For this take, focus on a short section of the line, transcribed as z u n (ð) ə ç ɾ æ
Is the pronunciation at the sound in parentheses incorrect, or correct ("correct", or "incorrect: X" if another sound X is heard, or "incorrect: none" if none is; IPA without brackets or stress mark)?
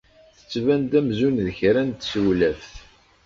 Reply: correct